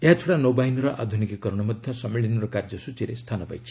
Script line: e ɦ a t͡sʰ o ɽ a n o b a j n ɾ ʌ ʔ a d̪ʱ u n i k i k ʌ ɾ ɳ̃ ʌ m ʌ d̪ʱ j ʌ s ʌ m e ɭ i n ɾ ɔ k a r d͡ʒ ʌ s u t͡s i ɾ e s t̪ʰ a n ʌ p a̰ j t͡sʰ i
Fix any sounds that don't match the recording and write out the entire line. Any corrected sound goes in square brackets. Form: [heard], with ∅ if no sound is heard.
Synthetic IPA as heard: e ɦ a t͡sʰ o ɽ a n o b a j n ɾ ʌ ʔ a d̪ʱ u n i k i k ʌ ɾ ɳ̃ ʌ m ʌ d̪ʱ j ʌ s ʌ m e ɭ i n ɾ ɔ k a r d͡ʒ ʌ s u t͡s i ɾ e s t̪ʰ a n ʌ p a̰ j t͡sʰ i